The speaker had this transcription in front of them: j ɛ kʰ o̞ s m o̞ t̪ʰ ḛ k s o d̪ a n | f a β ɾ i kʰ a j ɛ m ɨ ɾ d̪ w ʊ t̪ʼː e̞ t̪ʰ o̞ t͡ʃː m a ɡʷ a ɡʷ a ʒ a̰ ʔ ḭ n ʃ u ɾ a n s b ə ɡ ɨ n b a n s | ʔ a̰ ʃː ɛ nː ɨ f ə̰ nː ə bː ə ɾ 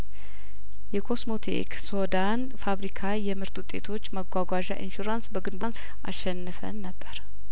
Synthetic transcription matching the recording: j ɛ kʰ o̞ s m o̞ t̪ʰ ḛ k s o d̪ a n | f a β ɾ i kʰ a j ɛ m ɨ ɾ t̪ w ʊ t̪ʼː e̞ t̪ʰ o̞ t͡ʃː m ə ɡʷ a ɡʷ a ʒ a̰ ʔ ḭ n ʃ u ɾ a n s b ə ɡ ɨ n b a n s | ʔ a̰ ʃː ɛ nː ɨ f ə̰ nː ə bː ə ɾ